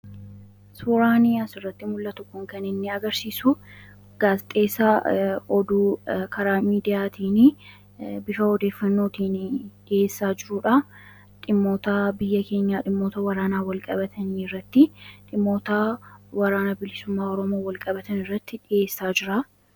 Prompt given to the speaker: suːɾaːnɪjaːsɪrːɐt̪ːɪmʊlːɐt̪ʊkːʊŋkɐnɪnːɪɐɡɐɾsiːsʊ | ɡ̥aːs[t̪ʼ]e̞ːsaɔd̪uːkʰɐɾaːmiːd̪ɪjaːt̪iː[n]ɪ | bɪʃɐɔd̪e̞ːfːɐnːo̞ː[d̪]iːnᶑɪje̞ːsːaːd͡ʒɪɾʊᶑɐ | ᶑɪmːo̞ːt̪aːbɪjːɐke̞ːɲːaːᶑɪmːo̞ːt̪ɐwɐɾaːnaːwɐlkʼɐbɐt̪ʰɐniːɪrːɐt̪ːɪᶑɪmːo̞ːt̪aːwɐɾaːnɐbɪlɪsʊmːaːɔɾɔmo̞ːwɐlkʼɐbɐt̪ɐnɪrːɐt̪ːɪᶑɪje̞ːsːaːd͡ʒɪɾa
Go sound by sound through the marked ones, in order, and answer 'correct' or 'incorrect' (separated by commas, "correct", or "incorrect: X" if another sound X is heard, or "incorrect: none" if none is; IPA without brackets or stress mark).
correct, correct, incorrect: t̪